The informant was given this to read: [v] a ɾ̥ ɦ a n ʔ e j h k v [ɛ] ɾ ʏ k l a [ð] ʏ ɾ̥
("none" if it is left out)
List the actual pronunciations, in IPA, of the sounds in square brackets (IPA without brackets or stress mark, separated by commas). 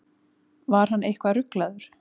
v, a, ð